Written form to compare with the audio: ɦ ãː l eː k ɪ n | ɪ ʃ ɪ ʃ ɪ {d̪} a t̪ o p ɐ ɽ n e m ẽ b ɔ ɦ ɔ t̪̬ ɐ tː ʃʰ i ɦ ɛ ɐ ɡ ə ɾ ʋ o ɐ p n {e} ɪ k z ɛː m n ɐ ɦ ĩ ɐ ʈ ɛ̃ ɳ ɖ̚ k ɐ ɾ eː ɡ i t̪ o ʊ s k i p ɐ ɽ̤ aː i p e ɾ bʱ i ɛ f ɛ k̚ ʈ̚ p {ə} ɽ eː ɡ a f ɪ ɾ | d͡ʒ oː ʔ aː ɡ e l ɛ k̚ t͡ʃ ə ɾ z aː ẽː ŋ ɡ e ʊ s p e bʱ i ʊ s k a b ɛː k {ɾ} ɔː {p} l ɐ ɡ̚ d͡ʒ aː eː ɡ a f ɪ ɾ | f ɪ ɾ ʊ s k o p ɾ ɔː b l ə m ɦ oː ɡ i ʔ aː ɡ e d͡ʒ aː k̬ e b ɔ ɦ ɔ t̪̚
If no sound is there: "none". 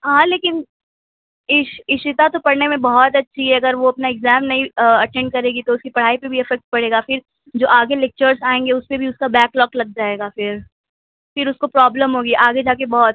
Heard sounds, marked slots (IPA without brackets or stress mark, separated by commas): t̪, a, ɐ, l, k